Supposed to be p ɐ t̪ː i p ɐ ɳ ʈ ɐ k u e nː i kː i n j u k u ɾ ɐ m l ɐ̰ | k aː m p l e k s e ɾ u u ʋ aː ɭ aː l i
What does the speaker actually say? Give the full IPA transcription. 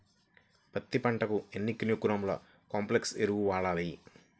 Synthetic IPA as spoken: p ɐ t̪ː i p ɐ ɳ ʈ ɐ k u e nː i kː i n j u k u ɾ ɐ m l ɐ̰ | k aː m p l e k s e ɾ u u ʋ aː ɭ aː l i